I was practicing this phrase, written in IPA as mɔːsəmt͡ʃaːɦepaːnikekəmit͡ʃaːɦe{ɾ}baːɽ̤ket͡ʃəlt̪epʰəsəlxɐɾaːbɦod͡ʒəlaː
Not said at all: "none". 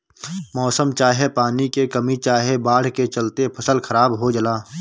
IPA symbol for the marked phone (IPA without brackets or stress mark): none